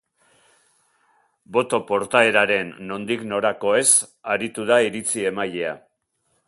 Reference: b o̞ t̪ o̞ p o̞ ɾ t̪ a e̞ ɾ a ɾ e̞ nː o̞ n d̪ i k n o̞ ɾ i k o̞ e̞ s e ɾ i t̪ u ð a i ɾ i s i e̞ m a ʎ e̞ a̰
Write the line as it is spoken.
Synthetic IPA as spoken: b o̞ t̪ o̞ p o̞ ɾ t̪ a e̞ ɾ a ɾ e̞ nː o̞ n d̪ i k n o̞ ɾ a k o̞ e̞ s a ɾ i t̪ u ð a i ɾ i t͡s i e̞ m a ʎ e̞ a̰